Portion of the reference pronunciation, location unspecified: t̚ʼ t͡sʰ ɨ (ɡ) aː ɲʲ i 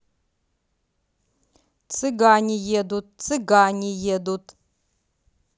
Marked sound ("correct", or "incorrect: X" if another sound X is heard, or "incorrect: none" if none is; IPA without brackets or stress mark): correct